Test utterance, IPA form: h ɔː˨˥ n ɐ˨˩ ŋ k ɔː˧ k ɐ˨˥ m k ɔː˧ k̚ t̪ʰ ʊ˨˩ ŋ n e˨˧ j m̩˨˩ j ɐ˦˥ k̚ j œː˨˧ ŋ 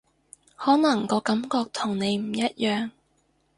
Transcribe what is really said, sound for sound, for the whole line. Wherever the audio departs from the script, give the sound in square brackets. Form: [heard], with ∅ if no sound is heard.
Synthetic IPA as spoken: h ɔː˨˥ n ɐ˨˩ ŋ k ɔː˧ k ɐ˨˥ m k ɔː˧ k̚ t̪ʰ ʊ˨˩ ŋ n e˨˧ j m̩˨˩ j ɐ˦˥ [t̚] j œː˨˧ ŋ